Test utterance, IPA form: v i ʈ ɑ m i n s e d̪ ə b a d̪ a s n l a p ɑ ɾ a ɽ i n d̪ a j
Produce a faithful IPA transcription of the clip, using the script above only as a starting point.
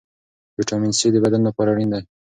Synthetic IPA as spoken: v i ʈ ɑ m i n s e d̪ ə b a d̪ a n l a p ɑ ɾ a ɽ i n d̪ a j

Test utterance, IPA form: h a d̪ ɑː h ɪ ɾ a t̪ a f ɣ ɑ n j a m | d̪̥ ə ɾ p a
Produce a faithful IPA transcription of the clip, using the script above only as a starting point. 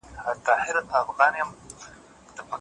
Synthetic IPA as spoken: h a t̪ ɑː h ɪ ɾ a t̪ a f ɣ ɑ n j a m | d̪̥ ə p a

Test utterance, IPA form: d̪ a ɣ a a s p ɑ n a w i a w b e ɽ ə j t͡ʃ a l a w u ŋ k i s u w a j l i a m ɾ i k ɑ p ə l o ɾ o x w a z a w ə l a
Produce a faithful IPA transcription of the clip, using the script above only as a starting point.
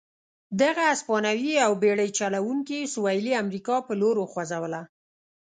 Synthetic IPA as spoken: d̪ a ɣ a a s p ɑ n a w i a w b e ɽ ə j t͡ʃ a l a w u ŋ k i s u w a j l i a m ɾ i k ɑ p ə l o ɾ o x w a z a w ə l a

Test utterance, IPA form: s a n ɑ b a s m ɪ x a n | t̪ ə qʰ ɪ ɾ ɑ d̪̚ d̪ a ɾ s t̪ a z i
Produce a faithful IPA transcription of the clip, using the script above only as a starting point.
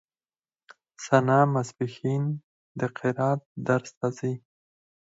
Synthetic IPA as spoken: s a n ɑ m a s b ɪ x i n | d̪ ə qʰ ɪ ɾ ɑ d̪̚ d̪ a ɾ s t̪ a z i

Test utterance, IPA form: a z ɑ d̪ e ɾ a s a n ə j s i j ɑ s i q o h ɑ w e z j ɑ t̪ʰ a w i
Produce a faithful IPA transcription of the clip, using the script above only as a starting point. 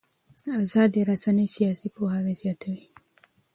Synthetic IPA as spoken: a z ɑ d̪ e ɾ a s a n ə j s i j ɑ s i p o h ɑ w e z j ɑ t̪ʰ a w i

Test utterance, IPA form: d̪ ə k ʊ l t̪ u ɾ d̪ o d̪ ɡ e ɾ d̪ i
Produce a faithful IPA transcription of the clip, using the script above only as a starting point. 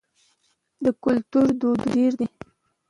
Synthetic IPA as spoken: d̪ ə k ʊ l t̪ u ɾ d̪ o d̪ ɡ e ɾ d̪ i

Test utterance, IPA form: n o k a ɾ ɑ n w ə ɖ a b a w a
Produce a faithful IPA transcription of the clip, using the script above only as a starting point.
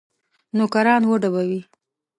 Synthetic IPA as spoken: n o k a ɾ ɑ n w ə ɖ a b a w i

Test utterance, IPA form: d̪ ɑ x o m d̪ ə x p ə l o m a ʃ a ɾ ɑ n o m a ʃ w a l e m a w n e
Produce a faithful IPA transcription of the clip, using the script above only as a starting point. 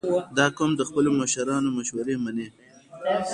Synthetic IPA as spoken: d̪ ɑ k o m d̪ ə x p ə l o m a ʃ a ɾ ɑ n o m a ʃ w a ɾ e m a n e

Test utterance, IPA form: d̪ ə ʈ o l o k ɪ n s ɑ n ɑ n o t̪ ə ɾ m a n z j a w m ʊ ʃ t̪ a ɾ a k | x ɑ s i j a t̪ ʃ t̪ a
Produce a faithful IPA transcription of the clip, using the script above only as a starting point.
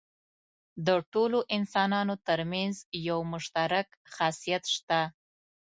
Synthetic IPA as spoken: d̪ ə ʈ o l o ʔ ɪ n s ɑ n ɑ n o t̪ ə ɾ m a n z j a w m ʊ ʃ t̪ a ɾ a k | x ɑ s i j a t̪ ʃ t̪ a

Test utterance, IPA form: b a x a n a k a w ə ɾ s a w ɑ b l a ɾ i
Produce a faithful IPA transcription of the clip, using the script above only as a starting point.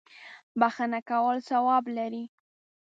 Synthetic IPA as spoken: b a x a n a k a w ə l s a w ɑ b l a ɾ i

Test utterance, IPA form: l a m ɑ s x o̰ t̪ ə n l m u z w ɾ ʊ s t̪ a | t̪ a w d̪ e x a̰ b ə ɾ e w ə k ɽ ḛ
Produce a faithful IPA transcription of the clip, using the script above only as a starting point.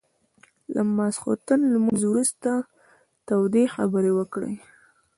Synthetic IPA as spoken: l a m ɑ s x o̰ t̪ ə n l m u z w ɾ u s t̪ a | t̪ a w d̪ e x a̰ b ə ɾ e w ə k ɽ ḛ

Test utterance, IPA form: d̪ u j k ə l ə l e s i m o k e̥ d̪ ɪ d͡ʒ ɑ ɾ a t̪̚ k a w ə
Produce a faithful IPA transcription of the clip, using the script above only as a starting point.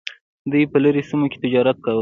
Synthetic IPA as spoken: d̪ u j p ə l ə ɾ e s i m o k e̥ t̪ ɪ d͡ʒ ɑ ɾ a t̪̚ k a w ə

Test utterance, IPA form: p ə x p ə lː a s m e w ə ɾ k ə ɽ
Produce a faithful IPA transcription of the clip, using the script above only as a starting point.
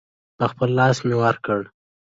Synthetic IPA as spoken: p ə x p ə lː ɑ s m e w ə ɾ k ə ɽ

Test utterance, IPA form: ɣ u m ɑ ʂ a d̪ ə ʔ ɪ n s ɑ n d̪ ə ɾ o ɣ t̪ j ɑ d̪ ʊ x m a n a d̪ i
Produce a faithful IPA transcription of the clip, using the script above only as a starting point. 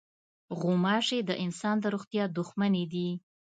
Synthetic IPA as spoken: ɣ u m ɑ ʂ e d̪ ə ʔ ɪ n s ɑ n d̪ ə ɾ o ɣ t̪ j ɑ d̪ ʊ x m a n e d̪ i

